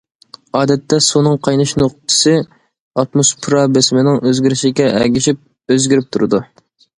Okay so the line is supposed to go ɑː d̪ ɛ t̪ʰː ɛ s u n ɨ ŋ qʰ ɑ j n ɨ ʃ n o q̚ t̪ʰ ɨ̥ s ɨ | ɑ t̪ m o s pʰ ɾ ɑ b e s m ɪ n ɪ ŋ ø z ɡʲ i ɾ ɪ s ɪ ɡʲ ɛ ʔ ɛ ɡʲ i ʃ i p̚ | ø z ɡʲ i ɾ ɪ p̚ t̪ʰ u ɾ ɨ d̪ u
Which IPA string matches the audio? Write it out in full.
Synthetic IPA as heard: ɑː d̪ ɛ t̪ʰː ɛ s u n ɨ ŋ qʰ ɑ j n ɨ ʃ n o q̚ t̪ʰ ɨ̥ s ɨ | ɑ t̪ m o s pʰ ɾ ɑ b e s m ɪ n ɪ ŋ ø z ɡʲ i ɾ ɪ ʃ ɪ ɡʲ ɛ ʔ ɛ ɡʲ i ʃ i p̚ | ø z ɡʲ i ɾ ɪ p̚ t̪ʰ u ɾ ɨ d̪ u